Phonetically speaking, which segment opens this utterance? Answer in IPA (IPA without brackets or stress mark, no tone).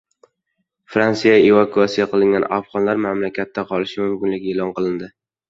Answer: f